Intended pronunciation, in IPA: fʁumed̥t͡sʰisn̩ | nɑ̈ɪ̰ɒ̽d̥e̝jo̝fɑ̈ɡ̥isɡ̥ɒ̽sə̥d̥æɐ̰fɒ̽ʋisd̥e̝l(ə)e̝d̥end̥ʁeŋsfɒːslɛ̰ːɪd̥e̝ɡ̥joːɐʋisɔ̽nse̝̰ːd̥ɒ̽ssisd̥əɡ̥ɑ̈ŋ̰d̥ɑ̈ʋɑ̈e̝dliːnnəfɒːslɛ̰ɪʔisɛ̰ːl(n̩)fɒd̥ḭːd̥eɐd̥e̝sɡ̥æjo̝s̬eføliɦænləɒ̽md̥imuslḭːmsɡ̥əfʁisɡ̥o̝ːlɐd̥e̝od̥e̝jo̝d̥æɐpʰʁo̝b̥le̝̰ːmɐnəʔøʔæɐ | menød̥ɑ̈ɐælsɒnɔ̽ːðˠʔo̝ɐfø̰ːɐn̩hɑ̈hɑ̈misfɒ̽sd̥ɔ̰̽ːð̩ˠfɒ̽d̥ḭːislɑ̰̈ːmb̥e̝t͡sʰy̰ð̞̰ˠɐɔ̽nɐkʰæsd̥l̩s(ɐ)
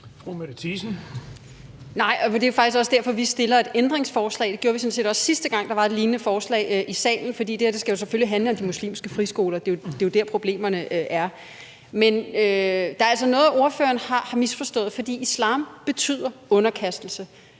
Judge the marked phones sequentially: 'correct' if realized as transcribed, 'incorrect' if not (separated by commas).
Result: incorrect, correct, incorrect